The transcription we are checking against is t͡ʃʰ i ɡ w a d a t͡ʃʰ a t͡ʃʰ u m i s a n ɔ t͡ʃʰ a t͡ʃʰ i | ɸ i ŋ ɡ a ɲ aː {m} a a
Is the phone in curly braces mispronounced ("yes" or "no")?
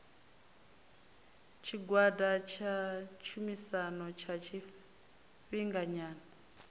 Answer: yes